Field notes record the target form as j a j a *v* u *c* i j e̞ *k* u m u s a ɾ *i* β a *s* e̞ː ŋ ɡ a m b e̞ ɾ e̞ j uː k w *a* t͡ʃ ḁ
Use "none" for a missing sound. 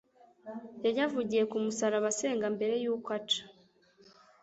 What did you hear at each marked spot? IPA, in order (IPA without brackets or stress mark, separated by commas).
v, ɟ, k, a, s, a